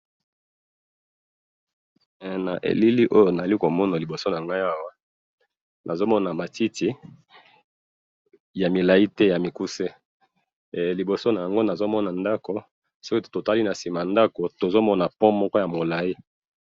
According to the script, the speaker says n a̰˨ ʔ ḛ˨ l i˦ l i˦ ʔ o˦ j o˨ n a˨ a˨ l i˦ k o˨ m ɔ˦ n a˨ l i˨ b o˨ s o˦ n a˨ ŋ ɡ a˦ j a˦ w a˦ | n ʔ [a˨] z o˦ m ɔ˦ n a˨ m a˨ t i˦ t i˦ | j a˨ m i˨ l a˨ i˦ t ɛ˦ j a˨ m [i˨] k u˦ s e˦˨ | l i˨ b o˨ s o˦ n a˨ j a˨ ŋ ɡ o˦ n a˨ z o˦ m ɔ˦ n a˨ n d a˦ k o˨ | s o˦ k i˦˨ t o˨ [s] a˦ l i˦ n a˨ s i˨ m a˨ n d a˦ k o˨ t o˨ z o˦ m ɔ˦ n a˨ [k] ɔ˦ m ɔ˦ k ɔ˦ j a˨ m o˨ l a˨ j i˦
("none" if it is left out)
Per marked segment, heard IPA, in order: a˨, i˨, t, p

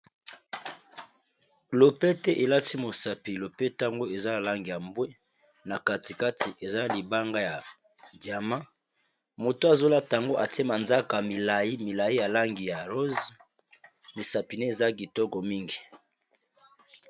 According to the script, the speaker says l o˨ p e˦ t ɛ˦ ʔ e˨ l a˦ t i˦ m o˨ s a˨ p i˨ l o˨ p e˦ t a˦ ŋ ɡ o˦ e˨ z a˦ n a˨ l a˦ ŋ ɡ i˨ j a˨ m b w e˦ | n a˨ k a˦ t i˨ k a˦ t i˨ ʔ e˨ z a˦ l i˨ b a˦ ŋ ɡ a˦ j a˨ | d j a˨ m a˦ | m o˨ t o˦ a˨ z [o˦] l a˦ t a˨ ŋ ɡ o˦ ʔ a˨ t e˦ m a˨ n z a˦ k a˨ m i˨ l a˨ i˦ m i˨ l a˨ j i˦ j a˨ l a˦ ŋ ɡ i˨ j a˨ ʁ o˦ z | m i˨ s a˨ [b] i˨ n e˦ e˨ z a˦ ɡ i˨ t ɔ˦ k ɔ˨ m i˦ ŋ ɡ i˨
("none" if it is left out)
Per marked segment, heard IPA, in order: o˦, p

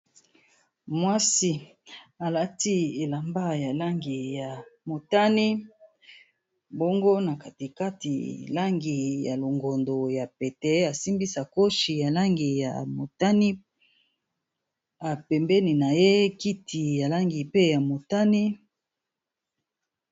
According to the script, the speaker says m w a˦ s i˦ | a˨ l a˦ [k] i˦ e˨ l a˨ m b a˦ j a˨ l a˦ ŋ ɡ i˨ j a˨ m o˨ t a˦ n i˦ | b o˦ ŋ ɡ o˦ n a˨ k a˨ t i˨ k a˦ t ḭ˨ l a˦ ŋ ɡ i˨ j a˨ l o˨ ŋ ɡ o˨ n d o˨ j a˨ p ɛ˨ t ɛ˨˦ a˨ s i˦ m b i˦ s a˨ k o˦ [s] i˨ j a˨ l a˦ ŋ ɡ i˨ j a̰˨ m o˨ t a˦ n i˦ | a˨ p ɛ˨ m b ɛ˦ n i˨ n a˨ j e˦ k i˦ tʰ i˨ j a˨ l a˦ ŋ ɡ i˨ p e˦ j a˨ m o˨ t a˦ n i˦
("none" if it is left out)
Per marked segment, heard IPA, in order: t, ʃ

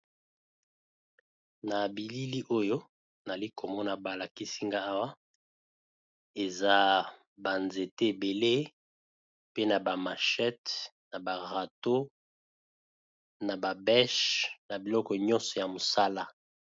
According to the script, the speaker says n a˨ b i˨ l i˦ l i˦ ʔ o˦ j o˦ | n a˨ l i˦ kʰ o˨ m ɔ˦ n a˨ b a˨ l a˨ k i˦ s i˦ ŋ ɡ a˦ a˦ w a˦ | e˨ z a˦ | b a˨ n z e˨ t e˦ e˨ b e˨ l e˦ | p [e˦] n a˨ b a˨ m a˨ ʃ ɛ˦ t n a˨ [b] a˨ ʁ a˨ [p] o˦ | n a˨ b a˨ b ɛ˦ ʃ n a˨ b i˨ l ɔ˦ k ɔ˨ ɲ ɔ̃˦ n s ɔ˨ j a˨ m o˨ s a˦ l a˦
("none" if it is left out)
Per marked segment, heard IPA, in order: e˦, b, t

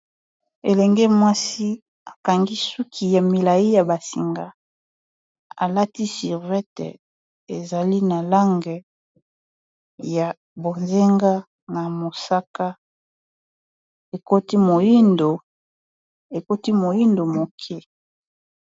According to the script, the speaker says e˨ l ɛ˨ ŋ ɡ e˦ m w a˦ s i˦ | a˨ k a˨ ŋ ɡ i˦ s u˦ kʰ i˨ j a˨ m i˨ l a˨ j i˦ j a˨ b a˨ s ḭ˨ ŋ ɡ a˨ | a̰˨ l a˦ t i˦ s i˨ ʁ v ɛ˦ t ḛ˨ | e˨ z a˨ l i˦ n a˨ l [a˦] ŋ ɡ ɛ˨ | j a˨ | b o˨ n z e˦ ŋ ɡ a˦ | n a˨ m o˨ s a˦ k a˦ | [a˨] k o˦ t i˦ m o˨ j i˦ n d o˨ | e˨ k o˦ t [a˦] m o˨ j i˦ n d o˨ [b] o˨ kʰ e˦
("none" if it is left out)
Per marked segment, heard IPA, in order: a˦, e˨, i˦, m

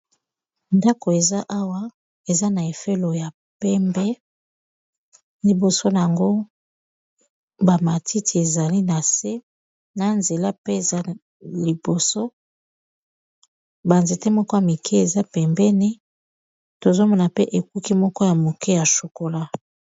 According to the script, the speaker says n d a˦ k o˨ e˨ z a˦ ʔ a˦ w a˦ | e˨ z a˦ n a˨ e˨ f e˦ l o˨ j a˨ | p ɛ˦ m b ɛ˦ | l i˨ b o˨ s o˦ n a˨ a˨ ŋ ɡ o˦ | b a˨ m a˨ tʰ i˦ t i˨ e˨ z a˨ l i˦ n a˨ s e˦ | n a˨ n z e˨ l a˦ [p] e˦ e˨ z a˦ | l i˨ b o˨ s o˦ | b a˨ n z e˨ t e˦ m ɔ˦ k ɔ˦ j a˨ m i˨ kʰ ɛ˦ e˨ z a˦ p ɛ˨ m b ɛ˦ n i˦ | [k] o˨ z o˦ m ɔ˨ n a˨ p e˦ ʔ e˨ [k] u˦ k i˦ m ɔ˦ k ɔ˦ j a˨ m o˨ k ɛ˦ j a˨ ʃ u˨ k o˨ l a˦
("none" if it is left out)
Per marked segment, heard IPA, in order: p, t, k

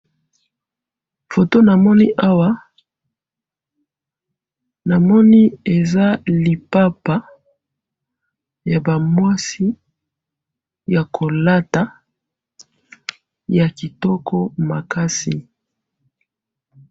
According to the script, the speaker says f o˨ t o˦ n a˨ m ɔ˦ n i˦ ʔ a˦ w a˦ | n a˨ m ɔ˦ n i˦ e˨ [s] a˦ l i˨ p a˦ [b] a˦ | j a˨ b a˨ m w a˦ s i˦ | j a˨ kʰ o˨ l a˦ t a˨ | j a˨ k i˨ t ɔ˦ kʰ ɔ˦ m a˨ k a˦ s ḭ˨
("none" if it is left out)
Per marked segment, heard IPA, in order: z, p

